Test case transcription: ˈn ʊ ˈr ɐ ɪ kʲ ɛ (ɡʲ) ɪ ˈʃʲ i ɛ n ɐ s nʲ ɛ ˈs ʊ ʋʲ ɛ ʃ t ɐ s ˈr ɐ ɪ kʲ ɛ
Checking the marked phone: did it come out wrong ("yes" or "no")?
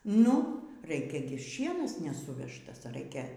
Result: no